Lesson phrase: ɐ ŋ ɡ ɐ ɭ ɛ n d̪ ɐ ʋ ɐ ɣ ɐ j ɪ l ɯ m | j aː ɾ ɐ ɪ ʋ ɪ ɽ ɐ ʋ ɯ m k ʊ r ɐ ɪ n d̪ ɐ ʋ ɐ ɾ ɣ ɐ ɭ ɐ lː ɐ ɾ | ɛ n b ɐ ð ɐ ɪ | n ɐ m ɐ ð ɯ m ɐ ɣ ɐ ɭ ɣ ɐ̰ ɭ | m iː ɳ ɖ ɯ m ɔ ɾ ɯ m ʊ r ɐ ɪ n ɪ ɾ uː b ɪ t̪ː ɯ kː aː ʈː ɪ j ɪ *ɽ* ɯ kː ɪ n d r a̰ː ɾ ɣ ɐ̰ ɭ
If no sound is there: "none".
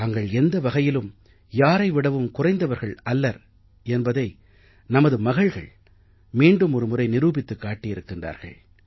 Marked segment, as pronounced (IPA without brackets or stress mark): ɾ